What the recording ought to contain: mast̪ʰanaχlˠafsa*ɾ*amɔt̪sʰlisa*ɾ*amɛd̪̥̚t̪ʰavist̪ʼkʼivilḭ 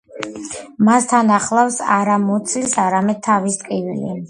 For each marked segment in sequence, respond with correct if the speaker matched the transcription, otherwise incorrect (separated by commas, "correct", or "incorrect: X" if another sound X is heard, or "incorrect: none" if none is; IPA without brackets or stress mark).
correct, correct